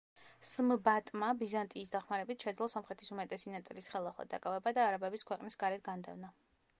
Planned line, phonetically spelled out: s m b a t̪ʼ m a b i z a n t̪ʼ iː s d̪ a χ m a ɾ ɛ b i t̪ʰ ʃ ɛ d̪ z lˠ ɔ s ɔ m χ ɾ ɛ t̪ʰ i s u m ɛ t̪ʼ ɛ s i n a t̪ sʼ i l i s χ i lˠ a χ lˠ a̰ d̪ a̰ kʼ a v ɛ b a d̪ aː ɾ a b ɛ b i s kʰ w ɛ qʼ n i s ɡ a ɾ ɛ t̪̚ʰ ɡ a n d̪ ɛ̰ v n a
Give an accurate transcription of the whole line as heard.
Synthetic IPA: s m b a t̪ʼ m a b i z a n t̪ʼ iː s d̪ a χ m a ɾ ɛ b i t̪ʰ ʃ ɛ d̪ z lˠ ɔ s ɔ m χ ɾ ɛ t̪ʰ i s u m ɛ t̪ʼ ɛ s i n a t̪ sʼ i l i s χ ɛ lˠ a χ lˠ a̰ d̪ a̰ kʼ a v ɛ b a d̪ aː ɾ a b ɛ b i s kʰ w ɛ qʼ n i s ɡ a ɾ ɛ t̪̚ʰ ɡ a n d̪ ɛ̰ v n a